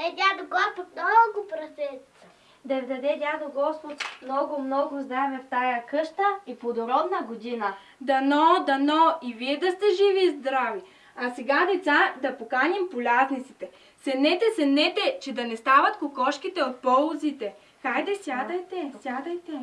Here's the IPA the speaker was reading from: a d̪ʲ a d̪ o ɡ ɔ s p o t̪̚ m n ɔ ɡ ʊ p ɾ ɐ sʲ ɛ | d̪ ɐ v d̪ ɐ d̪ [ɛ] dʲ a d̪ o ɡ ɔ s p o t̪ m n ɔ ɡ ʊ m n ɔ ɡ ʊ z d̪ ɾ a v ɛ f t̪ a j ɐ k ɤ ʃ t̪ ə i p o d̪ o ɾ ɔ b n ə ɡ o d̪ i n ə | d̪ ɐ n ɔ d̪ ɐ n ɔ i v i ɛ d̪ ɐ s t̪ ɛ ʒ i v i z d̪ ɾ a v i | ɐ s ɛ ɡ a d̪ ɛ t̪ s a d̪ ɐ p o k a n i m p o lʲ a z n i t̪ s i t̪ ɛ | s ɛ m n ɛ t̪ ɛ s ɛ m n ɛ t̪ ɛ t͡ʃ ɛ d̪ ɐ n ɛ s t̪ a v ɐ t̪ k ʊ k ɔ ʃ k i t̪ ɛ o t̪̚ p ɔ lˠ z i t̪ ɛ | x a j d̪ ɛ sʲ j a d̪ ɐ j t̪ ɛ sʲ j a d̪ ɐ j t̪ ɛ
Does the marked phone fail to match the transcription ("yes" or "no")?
no